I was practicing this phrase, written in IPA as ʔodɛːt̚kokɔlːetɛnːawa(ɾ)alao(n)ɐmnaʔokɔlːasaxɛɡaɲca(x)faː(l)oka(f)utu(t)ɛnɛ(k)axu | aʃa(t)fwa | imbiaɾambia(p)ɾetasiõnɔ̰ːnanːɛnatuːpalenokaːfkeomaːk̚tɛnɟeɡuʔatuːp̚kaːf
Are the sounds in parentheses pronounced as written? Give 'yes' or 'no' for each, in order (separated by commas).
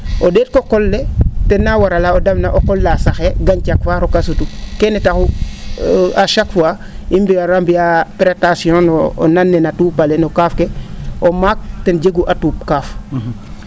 yes, no, no, no, no, no, no, no, yes